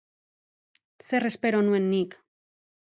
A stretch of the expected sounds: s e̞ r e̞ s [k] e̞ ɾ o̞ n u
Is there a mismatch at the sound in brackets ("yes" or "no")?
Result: yes